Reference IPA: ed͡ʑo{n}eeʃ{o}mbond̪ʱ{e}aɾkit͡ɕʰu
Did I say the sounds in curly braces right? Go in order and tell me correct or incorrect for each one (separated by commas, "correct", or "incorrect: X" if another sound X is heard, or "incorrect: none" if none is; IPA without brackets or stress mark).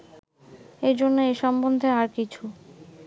incorrect: nː, incorrect: ɔ, correct